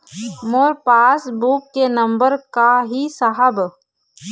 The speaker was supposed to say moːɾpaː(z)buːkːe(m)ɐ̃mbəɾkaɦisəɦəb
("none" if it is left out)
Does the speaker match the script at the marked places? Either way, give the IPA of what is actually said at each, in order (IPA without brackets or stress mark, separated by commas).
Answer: s, n